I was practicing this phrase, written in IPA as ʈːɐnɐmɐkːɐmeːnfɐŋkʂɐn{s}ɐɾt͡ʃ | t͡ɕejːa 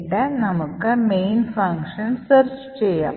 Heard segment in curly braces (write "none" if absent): s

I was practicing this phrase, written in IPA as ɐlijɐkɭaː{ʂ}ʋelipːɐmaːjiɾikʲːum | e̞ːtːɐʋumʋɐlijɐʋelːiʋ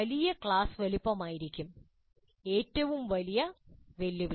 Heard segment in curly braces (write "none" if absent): s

